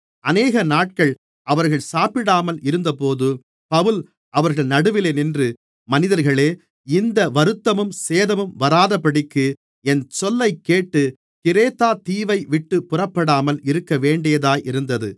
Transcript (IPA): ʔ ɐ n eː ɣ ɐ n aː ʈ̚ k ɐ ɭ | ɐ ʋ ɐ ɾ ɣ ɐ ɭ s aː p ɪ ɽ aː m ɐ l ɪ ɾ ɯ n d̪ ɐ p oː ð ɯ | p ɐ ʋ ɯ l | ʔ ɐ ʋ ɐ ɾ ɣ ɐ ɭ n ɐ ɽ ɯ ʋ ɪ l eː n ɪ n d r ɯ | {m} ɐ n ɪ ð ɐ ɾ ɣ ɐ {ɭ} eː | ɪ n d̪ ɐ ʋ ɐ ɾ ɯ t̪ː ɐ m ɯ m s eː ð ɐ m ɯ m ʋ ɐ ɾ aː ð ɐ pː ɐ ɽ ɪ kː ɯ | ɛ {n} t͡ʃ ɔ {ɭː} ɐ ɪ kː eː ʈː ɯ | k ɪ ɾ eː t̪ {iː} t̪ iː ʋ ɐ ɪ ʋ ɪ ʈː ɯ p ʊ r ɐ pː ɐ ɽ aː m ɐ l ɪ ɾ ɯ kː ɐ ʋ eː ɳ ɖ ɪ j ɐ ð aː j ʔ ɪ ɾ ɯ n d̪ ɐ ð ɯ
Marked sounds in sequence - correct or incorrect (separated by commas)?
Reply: correct, correct, correct, incorrect, incorrect